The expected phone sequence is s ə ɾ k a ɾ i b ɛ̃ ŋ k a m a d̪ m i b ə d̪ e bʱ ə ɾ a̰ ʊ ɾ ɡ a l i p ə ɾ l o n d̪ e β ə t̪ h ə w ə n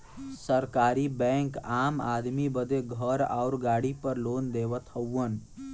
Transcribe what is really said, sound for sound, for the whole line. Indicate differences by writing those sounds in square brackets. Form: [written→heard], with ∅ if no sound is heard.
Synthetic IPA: s ə ɾ k a ɾ i b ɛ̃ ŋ k a m a d̪ m i b ə d̪ e [bʱ→ɡʱ] ə ɾ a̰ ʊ ɾ ɡ a [l→ɽ] i p ə ɾ l o n d̪ e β ə t̪ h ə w ə n